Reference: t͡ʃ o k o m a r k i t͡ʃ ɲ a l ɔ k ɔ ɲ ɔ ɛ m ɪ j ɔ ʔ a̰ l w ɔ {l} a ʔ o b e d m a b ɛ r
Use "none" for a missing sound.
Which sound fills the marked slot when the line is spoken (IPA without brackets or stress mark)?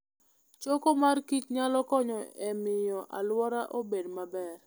ɾ